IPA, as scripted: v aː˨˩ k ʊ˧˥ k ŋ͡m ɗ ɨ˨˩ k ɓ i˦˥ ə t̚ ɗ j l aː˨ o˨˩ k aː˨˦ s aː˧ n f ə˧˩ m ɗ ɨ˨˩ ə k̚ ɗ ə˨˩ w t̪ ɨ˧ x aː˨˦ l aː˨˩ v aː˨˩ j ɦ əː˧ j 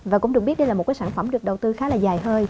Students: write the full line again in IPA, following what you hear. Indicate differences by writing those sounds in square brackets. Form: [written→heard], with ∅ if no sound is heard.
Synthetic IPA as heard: v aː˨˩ k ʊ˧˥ [k→∅] ŋ͡m ɗ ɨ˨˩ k ɓ i˦˥ ə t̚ ɗ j l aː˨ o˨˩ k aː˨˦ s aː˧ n f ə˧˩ m ɗ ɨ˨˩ ə k̚ ɗ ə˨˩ w t̪ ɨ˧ x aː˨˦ l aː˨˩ [v→z] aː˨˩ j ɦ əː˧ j